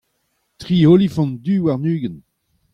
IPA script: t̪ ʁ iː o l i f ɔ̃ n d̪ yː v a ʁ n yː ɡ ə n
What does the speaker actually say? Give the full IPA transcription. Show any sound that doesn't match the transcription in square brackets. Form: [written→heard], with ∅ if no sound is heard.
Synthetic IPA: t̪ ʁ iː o l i f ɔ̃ n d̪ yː [v→w] a ʁ n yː ɡ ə n